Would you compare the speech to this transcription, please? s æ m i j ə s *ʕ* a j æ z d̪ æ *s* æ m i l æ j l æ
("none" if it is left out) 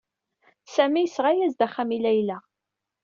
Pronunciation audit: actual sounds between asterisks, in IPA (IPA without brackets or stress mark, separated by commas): ʁ, χ